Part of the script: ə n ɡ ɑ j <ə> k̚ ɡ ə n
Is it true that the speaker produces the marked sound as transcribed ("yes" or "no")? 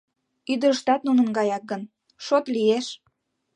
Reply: no